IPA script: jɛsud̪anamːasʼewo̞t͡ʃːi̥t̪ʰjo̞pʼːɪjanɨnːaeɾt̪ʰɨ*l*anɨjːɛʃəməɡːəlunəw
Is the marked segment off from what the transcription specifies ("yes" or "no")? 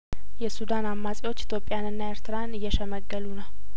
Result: yes